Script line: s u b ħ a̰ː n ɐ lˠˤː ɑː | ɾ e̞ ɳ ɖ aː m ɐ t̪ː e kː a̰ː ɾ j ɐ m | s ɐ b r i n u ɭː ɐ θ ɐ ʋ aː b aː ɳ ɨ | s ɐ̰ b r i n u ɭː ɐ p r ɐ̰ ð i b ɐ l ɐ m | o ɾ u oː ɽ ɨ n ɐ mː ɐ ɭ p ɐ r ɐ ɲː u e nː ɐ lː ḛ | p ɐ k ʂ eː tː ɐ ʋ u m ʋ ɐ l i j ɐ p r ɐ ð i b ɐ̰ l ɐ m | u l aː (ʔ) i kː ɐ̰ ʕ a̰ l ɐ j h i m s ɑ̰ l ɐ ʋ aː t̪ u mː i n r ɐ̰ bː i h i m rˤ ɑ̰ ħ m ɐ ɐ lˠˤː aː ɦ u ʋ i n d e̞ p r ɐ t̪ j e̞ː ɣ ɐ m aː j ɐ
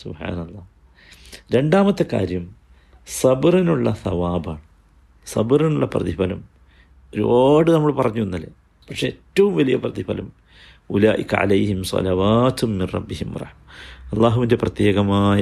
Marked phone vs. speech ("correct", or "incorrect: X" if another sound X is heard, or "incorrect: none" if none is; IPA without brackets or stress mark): correct